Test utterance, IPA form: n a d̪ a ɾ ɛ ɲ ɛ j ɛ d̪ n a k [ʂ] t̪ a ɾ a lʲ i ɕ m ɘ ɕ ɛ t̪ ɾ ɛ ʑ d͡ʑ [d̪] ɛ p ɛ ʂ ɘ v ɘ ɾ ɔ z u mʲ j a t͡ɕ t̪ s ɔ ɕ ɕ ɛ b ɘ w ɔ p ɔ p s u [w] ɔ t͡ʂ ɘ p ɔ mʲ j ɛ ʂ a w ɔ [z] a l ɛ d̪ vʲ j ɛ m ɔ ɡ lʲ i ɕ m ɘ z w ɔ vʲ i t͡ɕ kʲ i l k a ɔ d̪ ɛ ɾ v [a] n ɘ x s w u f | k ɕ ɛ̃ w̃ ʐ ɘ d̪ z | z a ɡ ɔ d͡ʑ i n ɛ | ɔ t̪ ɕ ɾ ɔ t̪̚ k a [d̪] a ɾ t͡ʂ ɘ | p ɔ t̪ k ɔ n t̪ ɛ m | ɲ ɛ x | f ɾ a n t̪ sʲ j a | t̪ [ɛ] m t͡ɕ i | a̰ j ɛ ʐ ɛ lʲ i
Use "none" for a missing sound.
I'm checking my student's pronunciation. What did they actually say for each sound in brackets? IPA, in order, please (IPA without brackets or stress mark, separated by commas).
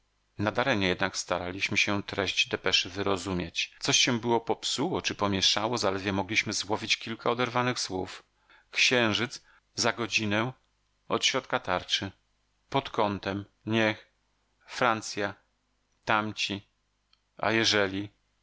s, d̪, w, z, a, t̪, a